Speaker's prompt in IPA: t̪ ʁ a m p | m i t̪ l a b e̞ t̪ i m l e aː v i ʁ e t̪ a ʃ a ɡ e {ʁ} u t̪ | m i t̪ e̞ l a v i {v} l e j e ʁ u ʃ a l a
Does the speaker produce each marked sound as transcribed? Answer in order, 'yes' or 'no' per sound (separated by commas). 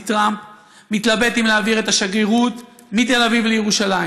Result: yes, yes